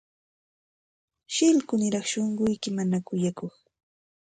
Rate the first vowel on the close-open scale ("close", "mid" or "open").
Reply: close